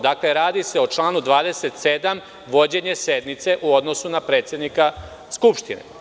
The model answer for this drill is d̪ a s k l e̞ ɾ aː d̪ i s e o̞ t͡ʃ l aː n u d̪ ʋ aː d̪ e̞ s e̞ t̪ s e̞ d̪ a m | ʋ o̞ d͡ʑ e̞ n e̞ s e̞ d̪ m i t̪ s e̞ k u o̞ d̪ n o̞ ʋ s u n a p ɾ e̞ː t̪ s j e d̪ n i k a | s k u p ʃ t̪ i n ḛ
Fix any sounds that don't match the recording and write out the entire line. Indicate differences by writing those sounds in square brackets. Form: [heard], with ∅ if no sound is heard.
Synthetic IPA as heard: d̪ a [∅] k l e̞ ɾ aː d̪ i s e o̞ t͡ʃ l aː n u d̪ ʋ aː d̪ e̞ s e̞ t̪ s e̞ d̪ a m | ʋ o̞ d͡ʑ e̞ [ɲ] e̞ s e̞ d̪ m i t̪ s e̞ [ʔ] u o̞ d̪ n o̞ [∅] s u n a p ɾ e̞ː t̪ s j e d̪ n i k a | s k u p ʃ t̪ i n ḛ